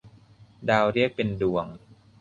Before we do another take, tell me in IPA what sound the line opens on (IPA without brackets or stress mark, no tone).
d